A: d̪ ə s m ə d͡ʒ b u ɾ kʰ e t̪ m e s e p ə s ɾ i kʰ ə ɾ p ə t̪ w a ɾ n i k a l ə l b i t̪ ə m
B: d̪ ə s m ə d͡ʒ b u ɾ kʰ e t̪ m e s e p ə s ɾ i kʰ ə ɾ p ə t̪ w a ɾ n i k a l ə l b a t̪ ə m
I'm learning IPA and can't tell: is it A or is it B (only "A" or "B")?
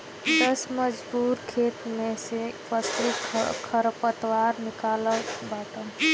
B